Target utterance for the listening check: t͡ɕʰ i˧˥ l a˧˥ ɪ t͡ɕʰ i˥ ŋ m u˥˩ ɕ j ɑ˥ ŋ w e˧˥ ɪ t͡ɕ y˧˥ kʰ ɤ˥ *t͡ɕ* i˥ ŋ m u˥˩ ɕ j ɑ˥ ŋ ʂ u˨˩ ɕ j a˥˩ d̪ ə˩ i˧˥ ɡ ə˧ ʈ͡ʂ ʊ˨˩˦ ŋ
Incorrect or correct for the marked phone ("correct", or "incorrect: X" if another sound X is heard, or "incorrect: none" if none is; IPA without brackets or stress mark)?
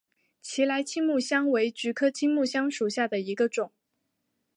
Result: incorrect: t͡ɕʰ